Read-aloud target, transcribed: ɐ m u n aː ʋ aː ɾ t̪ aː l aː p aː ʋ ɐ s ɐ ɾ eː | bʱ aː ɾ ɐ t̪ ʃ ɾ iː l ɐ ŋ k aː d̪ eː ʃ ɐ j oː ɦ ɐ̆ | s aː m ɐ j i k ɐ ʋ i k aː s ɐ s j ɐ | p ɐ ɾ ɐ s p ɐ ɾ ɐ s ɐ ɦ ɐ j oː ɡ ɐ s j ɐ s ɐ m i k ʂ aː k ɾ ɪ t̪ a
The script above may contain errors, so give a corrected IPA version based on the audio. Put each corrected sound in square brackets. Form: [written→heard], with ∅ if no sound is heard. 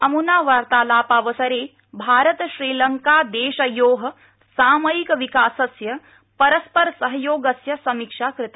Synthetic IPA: ɐ m u n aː ʋ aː ɾ t̪ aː l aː p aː ʋ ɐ s ɐ ɾ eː | bʱ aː ɾ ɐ t̪ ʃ ɾ iː l ɐ ŋ k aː d̪ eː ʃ ɐ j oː ɦ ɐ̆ | s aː m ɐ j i k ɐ ʋ i k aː s ɐ s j ɐ | p ɐ ɾ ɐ s p ɐ ɾ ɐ s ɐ ɦ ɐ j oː ɡ ɐ s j ɐ s ɐ m i k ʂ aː k ɾ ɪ t̪ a